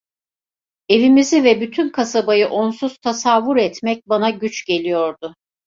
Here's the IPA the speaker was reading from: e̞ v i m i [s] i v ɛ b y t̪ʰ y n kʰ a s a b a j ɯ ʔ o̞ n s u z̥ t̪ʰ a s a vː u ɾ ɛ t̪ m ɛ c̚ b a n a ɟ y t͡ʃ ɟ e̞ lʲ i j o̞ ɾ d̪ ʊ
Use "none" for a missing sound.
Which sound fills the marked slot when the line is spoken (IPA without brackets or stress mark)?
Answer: z